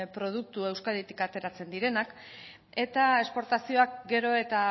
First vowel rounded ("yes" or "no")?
yes